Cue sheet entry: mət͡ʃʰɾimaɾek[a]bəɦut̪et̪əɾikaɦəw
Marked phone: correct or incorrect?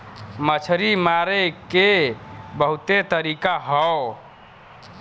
incorrect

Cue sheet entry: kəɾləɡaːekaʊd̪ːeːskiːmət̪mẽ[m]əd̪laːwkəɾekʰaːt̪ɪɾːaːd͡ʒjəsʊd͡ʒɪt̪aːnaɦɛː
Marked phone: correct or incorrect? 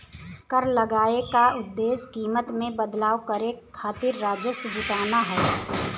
incorrect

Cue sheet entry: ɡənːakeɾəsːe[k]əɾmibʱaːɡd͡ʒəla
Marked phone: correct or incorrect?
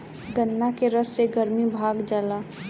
incorrect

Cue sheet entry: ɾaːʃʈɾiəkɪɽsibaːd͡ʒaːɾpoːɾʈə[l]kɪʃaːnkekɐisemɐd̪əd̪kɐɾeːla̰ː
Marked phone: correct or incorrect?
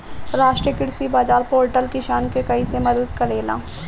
correct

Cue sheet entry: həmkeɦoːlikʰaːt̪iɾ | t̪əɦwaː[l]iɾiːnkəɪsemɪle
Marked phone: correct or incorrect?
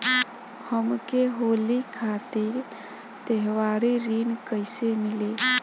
incorrect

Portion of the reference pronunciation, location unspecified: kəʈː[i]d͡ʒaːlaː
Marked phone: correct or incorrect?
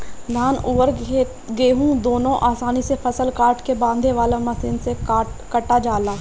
incorrect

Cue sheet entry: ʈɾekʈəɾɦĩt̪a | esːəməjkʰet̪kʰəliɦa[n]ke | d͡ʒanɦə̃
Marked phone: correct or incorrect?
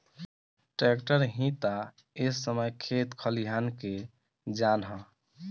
correct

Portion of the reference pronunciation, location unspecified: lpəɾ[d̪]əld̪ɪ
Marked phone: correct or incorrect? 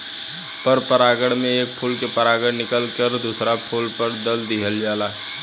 correct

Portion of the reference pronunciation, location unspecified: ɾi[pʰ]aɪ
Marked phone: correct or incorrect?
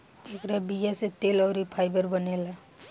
correct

